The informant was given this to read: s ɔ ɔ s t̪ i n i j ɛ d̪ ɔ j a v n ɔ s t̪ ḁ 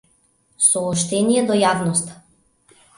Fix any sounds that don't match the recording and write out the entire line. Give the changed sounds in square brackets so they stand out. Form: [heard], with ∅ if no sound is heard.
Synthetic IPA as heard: s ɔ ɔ [ʃ] t̪ [ɛ] n i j ɛ d̪ ɔ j a v n ɔ s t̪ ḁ